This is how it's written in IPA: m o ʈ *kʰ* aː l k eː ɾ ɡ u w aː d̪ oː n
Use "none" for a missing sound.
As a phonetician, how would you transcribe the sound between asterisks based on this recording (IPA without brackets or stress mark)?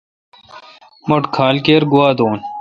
kʰ